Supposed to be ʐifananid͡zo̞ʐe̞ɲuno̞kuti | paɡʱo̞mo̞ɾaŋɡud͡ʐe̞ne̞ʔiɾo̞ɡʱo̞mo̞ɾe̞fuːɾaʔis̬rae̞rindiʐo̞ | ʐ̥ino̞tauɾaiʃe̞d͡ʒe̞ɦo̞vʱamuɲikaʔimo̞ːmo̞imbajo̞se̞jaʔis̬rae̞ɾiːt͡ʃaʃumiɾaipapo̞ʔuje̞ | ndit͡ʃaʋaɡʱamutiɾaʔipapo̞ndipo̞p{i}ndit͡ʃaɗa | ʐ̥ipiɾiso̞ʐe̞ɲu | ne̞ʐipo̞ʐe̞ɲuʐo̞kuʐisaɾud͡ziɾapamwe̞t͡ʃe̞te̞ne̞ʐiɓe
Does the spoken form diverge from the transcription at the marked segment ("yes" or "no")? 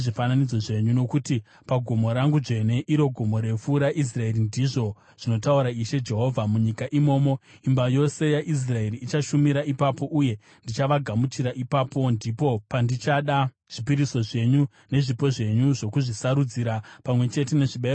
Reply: yes